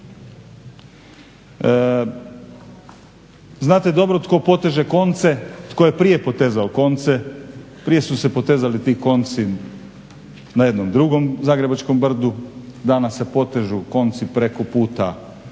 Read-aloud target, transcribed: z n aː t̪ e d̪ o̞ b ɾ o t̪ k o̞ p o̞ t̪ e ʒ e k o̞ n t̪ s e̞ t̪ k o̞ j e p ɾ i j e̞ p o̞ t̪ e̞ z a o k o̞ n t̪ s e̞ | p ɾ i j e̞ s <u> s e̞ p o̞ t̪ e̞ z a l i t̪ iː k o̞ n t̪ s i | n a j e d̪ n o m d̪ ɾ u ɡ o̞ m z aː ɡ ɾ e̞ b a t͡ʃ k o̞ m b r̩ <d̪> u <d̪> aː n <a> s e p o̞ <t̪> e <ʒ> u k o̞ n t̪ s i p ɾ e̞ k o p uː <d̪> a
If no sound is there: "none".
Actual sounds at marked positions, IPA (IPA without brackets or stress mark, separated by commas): u, d̪, d̪, a, t̪, ʒ, t̪